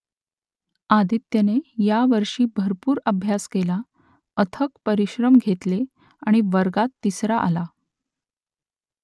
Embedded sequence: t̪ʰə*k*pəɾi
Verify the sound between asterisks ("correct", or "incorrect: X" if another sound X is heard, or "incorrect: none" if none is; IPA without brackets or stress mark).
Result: correct